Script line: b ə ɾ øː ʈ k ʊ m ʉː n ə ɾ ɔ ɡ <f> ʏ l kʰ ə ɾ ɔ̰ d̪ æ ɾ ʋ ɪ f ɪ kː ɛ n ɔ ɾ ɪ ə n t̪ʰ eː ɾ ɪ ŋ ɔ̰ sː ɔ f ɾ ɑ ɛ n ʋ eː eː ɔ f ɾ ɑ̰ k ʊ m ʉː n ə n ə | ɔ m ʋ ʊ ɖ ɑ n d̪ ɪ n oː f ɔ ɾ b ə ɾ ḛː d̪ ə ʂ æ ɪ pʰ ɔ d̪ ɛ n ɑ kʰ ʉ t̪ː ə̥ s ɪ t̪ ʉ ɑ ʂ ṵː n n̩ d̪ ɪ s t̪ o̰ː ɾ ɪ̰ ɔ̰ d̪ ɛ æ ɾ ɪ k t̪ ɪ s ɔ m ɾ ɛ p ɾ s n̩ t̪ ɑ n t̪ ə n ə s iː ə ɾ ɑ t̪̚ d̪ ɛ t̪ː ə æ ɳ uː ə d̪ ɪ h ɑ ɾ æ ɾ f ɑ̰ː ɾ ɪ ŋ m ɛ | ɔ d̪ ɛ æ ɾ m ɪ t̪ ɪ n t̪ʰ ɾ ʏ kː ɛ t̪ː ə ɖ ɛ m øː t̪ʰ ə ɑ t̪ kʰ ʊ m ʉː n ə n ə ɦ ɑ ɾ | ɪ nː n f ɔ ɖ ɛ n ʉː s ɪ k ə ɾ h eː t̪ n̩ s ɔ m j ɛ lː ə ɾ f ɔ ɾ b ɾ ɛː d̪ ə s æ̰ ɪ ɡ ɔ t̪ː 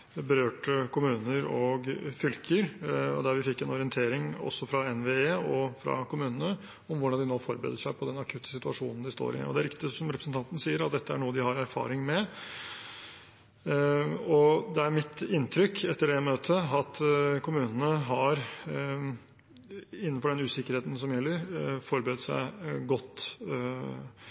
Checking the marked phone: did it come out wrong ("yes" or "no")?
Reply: no